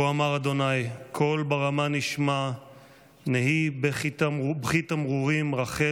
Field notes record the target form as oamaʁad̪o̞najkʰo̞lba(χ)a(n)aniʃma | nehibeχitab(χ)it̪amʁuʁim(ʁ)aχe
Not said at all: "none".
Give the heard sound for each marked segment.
ʁ, m, χ, ʁ

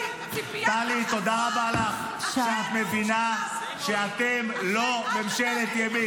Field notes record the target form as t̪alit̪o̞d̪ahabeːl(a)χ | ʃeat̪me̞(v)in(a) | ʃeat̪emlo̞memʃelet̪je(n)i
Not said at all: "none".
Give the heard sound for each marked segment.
a, v, a, m

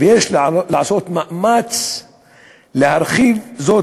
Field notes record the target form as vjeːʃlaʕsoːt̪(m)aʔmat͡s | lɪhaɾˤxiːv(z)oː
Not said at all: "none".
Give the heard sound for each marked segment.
m, z

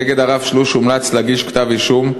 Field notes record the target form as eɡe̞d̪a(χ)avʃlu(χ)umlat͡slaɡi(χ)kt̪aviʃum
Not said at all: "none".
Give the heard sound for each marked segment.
ʁ, ʃ, ʃ

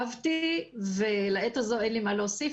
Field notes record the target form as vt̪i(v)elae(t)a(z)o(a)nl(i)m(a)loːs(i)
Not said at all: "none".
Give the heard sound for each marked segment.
v, t, z, e, i, a, i

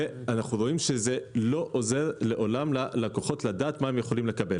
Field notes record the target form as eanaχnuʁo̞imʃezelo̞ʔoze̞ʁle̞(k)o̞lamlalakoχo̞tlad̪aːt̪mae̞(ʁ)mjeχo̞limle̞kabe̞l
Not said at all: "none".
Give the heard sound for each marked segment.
ʔ, none

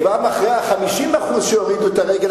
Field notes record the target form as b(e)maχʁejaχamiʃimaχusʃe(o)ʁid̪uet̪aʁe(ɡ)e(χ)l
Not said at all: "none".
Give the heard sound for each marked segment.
a, o, ɡ, none

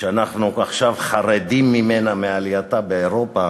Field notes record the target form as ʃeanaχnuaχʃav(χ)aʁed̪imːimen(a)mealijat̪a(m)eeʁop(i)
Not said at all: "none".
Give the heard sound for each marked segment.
χ, a, b, a

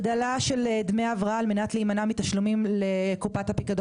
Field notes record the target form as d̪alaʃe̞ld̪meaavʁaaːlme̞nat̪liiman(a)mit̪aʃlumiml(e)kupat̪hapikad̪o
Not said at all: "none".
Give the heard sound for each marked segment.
a, e

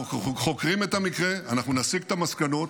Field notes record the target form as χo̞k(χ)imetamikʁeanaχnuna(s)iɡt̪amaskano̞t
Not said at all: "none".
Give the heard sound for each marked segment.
ʁ, s

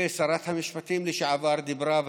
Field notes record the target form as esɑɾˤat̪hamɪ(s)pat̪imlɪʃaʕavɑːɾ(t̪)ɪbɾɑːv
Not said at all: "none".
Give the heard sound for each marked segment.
ʃ, d̪

